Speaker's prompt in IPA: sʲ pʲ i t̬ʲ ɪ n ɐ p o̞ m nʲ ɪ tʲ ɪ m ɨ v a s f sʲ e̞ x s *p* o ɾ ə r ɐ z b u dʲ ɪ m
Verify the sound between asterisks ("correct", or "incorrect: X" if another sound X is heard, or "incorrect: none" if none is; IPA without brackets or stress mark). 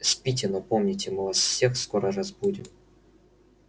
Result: incorrect: k